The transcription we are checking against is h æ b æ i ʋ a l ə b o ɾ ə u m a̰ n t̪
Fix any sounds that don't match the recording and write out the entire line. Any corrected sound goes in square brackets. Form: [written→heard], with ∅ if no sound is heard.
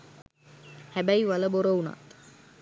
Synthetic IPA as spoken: h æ b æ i ʋ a l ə b o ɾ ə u [m→n] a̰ [n→∅] t̪

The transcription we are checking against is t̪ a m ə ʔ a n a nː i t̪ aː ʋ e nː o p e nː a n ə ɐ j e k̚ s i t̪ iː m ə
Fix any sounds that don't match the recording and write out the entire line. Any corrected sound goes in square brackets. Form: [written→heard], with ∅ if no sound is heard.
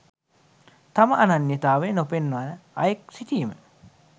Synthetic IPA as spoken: t̪ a m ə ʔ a n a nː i t̪ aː ʋ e [nː→n] o p e nː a n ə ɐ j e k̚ s i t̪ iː m ə

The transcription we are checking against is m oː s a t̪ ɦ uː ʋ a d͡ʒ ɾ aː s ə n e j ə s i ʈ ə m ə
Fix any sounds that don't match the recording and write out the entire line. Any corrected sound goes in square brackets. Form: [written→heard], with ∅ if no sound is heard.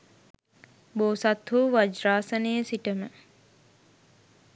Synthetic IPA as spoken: [m→b] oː s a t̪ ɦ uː ʋ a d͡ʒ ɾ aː s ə n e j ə s i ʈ ə m ə

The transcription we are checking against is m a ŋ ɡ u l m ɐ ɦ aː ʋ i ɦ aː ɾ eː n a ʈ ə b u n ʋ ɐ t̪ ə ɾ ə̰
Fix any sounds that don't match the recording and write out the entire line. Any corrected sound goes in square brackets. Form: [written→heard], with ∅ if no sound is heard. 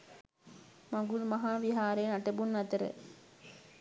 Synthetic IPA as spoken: m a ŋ ɡ u l m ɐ ɦ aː ʋ i ɦ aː ɾ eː n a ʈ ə b u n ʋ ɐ t̪ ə ɾ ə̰

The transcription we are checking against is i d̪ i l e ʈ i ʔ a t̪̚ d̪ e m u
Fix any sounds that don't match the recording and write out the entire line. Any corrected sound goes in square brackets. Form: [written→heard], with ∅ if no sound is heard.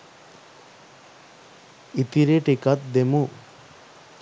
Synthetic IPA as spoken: i [d̪→t̪] i [l→ɾ] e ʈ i [ʔ→k] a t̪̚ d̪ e m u

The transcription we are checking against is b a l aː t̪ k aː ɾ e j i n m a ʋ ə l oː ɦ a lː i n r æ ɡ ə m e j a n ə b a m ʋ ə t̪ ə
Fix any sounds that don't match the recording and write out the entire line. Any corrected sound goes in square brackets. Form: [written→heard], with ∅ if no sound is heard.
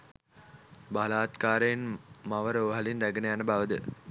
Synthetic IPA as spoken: b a l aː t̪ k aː ɾ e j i n m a ʋ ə [l→ɾ] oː ɦ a [lː→l] i n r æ ɡ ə [m→n] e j a n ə b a [m→∅] ʋ ə [t̪→d̪] ə

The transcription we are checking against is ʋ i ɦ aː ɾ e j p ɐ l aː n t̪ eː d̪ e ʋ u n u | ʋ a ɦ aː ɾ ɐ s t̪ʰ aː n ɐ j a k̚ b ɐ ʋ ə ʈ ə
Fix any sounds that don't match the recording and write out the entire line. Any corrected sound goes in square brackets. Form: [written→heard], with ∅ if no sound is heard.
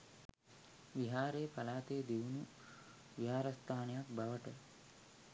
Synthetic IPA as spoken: ʋ i ɦ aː ɾ e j p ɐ l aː [n→∅] t̪ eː d̪ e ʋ u n u | ʋ [a→i] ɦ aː ɾ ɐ s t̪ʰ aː n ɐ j a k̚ b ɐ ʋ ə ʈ ə

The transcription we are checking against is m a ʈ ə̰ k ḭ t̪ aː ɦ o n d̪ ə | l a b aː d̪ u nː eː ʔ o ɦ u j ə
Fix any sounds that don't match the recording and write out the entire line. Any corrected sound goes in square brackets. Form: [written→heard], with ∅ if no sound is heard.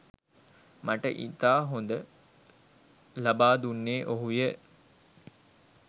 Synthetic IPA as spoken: m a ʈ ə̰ [k→ʔ] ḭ t̪ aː ɦ o n d̪ ə | l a b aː d̪ u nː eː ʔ o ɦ u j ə

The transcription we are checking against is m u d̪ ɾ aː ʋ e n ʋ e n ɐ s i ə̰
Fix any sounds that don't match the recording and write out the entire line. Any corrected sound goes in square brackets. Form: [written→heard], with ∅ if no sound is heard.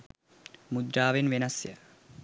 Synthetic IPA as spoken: m u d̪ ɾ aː ʋ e n ʋ e n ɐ s [i→j] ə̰

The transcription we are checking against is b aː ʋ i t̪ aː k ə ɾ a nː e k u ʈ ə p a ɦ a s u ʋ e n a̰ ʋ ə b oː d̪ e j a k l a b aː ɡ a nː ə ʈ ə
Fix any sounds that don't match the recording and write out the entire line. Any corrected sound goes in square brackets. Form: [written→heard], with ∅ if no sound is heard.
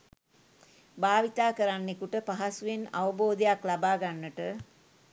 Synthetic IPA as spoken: b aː ʋ i t̪ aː k ə ɾ a nː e k u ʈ ə p a ɦ a s u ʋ e n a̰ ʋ ə b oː d̪ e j a k l a b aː ɡ a nː ə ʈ ə

